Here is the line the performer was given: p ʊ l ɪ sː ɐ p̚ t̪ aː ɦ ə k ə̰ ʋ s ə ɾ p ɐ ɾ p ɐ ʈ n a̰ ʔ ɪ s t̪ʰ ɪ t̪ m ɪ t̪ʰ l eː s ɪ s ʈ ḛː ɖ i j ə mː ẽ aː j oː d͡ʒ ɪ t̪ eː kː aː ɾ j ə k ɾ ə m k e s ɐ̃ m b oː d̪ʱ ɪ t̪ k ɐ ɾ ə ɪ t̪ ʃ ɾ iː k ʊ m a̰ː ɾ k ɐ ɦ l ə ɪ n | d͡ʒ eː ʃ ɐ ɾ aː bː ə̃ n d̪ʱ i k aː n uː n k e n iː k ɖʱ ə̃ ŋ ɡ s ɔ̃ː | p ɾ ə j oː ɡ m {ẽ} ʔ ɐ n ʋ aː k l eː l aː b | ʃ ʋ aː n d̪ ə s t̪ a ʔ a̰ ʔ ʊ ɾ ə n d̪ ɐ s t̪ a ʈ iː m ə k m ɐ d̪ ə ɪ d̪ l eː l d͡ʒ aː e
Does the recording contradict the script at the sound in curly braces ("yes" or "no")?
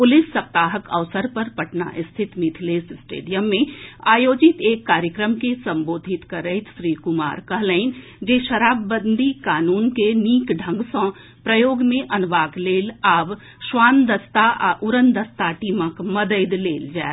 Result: no